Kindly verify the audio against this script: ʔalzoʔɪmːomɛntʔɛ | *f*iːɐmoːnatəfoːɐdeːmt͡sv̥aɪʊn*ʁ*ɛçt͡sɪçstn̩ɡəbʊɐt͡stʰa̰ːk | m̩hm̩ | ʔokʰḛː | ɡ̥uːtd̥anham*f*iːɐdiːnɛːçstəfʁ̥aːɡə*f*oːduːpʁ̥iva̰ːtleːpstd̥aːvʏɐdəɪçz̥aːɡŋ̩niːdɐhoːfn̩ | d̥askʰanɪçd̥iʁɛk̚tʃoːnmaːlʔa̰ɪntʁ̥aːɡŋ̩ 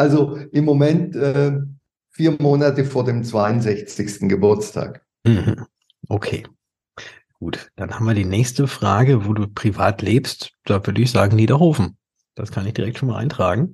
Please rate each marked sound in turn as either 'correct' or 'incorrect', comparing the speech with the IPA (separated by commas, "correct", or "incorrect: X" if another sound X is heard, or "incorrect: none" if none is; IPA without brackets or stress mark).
correct, incorrect: z, incorrect: v, incorrect: v